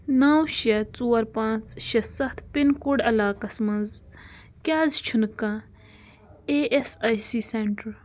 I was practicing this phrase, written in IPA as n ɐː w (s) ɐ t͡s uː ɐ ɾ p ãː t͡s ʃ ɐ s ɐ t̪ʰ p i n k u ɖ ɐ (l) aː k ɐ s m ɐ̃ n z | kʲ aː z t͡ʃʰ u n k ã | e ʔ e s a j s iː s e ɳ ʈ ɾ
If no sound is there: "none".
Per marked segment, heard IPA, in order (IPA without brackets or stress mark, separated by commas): ʃ, l